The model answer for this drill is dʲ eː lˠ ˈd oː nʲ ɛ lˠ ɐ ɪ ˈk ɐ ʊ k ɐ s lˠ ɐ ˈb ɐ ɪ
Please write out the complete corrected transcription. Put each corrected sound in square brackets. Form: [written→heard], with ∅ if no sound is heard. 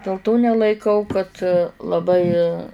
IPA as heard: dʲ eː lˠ [ˈd→ˈt] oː nʲ ɛ lˠ ɐ ɪ ˈk ɐ ʊ k ɐ [s→t] lˠ ɐ ˈb ɐ ɪ